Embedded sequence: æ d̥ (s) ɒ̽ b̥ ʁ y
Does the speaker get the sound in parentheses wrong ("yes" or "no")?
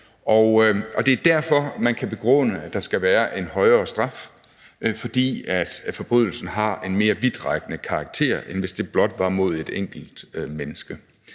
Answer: yes